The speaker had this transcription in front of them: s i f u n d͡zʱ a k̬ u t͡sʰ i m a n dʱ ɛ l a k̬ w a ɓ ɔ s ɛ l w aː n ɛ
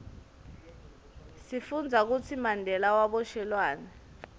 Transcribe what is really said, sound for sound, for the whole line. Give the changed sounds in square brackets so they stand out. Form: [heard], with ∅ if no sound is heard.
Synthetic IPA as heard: s i f u n d͡zʱ a k̬ u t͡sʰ i m a n dʱ ɛ l a [∅] w a ɓ ɔ [ʃ] ɛ l w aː n ɛ